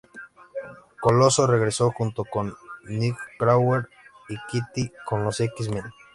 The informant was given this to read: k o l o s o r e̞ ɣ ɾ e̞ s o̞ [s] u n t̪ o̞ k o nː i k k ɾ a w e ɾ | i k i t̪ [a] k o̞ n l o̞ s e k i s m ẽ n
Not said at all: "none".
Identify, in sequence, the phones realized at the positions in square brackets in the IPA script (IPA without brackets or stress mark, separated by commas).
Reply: x, i